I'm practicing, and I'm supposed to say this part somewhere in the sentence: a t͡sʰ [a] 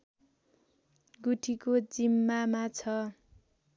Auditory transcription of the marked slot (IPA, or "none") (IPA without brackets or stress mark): ʌ